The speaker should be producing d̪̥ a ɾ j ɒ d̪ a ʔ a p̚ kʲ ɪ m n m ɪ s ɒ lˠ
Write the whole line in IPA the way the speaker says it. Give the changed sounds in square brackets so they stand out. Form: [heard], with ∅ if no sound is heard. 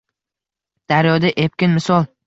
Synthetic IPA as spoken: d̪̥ a ɾ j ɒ d̪ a ʔ [e] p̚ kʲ ɪ [∅] n m ɪ s ɒ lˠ